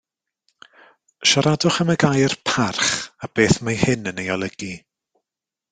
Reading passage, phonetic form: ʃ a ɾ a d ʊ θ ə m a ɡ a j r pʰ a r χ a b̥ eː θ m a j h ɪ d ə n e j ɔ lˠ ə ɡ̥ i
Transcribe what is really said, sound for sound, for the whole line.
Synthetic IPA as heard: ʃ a ɾ a d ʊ χ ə m ə ɡ a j r pʰ a r χ a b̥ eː θ m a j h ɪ n ə n e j ɔ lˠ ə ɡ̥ i